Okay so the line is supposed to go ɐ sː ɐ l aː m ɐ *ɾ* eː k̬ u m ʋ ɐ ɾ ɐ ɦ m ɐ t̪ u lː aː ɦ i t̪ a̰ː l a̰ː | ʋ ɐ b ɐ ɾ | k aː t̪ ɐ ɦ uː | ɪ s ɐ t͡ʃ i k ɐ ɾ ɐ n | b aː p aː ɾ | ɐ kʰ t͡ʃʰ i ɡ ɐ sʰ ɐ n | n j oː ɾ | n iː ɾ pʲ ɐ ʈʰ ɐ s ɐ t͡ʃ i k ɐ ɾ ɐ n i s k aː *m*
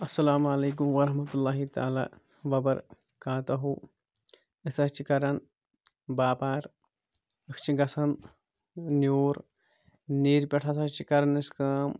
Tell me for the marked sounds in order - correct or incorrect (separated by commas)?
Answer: incorrect, correct